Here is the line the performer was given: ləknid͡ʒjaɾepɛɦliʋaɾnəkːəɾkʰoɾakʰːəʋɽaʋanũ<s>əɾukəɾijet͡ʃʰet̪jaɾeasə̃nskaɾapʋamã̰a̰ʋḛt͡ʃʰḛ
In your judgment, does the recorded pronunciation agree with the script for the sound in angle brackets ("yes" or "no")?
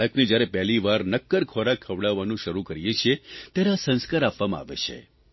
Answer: no